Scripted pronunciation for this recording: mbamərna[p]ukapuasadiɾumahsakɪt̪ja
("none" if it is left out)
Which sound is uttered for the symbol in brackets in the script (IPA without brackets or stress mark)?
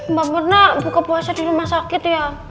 b